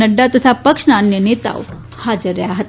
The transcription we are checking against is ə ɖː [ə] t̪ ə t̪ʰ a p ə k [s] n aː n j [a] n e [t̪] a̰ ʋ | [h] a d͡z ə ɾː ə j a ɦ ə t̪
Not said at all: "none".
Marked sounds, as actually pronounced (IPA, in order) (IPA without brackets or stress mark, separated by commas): a, ʂ, ə, t̪, h